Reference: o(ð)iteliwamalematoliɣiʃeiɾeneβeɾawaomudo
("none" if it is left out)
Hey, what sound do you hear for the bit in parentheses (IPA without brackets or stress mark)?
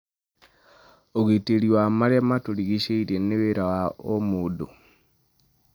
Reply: ɣ